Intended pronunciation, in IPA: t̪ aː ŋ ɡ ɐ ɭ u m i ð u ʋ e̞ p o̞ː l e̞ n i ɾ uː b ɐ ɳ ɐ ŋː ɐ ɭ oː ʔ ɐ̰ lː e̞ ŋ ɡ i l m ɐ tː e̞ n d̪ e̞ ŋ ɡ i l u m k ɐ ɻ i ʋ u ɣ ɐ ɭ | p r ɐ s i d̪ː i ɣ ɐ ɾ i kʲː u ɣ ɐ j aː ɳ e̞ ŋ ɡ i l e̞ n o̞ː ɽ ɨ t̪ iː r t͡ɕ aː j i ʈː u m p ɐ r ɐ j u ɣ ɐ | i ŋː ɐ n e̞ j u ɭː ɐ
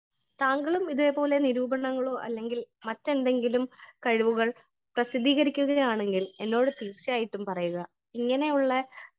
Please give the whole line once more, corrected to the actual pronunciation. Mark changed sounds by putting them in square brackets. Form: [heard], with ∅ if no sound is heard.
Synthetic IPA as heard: t̪ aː ŋ ɡ ɐ ɭ u m i ð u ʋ e̞ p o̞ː l e̞ n i ɾ uː b ɐ ɳ ɐ ŋː ɐ ɭ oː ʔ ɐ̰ lː e̞ ŋ ɡ i l m ɐ tː e̞ n d̪ e̞ ŋ ɡ i l u m k ɐ ɻ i ʋ u ɣ ɐ ɭ | p r ɐ s i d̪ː [iː] ɣ ɐ ɾ i kʲː u ɣ ɐ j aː ɳ e̞ ŋ ɡ i l e̞ [nː] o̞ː ɽ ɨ t̪ iː r t͡ɕ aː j i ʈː u m p ɐ r ɐ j u ɣ ɐ | i ŋː ɐ n e̞ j u ɭː ɐ

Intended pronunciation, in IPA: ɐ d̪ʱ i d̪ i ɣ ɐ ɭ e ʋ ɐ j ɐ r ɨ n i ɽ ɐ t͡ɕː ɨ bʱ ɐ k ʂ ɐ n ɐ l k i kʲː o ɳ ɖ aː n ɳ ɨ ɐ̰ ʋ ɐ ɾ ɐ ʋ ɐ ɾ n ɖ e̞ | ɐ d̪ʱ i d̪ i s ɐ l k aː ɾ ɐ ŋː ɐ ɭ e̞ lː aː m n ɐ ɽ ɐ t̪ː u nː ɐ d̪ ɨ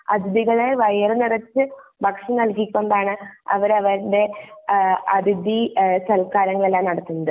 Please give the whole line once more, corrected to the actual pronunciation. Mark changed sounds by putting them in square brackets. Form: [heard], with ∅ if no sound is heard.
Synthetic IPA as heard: ɐ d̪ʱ i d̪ i ɣ ɐ ɭ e ʋ ɐ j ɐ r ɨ n i [r] ɐ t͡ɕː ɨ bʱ ɐ k ʂ ɐ n ɐ l k i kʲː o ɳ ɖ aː [∅] ɳ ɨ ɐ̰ ʋ ɐ ɾ ɐ ʋ ɐ ɾ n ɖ e̞ | ɐ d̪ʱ i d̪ i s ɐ l k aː ɾ ɐ ŋː ɐ ɭ e̞ lː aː m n ɐ ɽ ɐ t̪ː u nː ɐ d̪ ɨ

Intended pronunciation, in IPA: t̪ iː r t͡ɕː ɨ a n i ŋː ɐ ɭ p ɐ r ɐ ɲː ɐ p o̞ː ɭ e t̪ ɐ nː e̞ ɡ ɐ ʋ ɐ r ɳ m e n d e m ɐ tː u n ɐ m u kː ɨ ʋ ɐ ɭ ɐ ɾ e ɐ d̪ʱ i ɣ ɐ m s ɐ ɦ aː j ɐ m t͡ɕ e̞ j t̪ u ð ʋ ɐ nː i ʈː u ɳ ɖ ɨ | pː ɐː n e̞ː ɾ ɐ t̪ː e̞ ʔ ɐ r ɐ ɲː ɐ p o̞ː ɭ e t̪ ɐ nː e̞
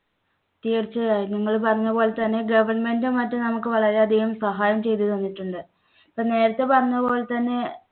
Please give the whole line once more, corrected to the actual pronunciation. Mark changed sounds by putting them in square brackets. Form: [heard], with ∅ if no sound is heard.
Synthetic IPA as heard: t̪ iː r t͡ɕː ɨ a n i ŋː ɐ ɭ p ɐ r ɐ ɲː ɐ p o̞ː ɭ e t̪ ɐ nː e̞ ɡ ɐ ʋ ɐ r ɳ m e n d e m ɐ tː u n ɐ m u kː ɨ ʋ ɐ ɭ ɐ ɾ e ɐ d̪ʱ i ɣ ɐ m s ɐ ɦ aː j ɐ m t͡ɕ e̞ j t̪ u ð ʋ ɐ nː i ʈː u ɳ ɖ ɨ | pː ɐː n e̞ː ɾ ɐ t̪ː e̞ [p] ɐ r ɐ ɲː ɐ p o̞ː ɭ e t̪ ɐ nː e̞

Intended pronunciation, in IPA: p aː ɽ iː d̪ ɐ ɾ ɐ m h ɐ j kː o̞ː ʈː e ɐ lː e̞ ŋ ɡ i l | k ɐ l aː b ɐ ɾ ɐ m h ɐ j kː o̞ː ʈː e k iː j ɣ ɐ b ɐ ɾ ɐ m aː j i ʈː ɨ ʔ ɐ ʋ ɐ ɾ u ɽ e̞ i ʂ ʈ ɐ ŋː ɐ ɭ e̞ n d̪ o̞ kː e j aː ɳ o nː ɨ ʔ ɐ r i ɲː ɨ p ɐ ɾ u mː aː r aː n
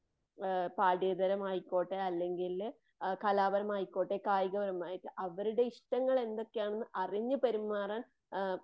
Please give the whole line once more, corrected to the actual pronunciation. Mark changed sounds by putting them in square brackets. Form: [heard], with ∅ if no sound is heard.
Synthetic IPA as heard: p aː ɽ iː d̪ ɐ ɾ ɐ m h ɐ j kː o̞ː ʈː e ɐ lː e̞ ŋ ɡ i l | k ɐ l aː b ɐ ɾ ɐ m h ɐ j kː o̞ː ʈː e k [aː] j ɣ ɐ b ɐ ɾ ɐ m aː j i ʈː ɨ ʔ ɐ ʋ ɐ ɾ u ɽ e̞ i ʂ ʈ ɐ ŋː ɐ ɭ e̞ n d̪ o̞ kː e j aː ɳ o nː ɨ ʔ ɐ r i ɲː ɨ p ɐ ɾ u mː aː r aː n

